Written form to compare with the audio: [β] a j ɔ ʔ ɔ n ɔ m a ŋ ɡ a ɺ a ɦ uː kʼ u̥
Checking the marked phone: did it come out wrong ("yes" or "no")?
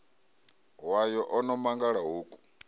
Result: yes